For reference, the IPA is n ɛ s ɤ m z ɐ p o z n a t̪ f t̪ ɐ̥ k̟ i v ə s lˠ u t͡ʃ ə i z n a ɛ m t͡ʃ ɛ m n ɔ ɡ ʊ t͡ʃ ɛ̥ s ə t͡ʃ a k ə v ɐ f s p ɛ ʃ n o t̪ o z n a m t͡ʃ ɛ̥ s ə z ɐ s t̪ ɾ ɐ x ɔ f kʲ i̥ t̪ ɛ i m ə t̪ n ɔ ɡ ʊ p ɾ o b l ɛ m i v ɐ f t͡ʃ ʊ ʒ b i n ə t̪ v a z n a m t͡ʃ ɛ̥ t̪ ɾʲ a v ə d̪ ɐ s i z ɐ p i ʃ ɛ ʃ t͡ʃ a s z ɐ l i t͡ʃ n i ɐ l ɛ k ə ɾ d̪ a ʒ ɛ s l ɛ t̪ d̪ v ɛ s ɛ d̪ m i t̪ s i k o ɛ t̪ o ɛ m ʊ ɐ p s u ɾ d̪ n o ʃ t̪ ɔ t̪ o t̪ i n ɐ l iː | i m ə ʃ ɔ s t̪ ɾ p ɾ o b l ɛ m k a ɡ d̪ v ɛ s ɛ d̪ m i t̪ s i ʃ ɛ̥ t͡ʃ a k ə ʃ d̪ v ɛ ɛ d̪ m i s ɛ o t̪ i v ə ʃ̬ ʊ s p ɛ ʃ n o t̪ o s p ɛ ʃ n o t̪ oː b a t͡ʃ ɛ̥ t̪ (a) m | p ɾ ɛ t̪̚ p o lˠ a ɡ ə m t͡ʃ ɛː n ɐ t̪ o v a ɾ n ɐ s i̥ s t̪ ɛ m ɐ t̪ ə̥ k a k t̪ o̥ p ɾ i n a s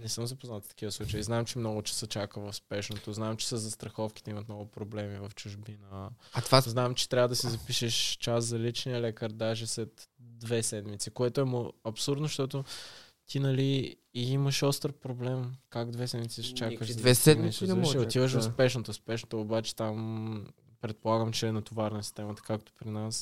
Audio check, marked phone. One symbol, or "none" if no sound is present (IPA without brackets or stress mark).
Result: a